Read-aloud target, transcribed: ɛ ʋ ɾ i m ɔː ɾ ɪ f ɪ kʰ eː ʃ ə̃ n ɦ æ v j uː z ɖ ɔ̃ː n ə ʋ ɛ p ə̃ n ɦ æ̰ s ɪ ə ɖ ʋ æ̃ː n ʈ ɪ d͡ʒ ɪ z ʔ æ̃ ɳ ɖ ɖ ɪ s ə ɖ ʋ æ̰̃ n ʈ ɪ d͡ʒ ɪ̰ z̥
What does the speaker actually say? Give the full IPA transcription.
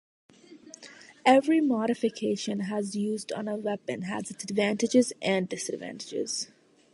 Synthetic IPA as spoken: ɛ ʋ ɾ i m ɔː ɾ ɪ f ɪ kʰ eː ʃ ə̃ n ɦ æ z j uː z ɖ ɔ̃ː n ə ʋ ɛ p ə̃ n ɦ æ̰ z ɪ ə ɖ ʋ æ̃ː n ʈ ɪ d͡ʒ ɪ z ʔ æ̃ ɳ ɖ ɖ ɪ s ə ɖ ʋ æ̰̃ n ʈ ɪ d͡ʒ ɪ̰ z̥